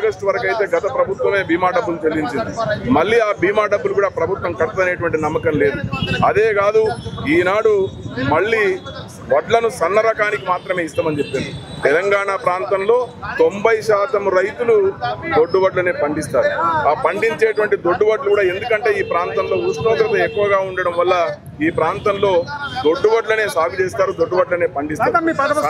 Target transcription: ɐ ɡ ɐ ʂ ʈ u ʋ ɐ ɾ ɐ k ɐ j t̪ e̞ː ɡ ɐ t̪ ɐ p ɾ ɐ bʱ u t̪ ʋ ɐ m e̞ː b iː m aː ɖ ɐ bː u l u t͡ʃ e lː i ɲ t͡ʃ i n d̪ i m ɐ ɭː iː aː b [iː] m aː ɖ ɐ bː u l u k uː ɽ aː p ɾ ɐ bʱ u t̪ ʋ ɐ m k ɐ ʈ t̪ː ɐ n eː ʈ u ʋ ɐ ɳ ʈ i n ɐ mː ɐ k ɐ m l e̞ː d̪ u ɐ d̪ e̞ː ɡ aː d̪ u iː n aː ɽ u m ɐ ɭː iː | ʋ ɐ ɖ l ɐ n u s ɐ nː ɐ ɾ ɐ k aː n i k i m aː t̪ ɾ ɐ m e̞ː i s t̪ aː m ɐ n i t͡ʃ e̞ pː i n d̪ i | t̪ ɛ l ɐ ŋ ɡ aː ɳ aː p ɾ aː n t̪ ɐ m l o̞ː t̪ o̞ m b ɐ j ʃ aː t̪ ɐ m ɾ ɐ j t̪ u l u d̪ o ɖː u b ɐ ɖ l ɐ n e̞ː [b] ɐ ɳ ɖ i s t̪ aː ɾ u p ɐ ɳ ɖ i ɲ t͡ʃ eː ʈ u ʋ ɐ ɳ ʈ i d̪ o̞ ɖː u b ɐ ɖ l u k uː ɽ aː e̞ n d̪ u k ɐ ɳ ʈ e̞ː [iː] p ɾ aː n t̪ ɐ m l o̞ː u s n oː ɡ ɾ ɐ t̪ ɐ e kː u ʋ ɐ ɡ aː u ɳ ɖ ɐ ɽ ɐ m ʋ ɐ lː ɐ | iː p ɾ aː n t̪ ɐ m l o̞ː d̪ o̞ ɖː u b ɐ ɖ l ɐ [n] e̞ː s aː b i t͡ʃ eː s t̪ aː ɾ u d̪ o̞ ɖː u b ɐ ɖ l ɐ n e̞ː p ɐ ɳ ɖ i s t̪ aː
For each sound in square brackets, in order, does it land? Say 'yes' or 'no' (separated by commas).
yes, no, yes, yes